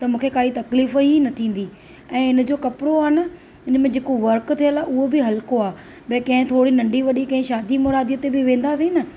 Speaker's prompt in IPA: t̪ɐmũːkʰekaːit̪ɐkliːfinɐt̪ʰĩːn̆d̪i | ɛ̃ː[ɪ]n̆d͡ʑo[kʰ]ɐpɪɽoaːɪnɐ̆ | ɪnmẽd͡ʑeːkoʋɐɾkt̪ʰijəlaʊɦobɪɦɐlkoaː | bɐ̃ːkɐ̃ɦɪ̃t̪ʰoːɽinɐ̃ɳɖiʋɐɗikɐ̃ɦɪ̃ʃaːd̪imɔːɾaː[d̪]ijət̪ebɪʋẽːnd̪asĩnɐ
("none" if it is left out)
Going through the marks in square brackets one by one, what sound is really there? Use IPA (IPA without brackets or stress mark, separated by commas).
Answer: ɪ, k, d̪